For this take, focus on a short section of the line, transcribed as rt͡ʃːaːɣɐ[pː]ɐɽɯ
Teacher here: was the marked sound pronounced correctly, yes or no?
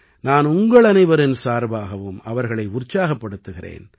yes